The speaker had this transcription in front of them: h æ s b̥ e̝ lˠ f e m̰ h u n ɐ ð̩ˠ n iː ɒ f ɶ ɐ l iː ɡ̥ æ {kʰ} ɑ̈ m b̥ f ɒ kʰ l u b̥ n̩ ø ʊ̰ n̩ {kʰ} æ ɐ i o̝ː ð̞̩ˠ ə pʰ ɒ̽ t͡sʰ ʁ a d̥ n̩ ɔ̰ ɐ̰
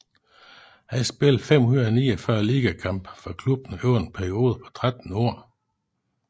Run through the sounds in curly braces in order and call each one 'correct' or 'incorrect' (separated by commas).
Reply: correct, incorrect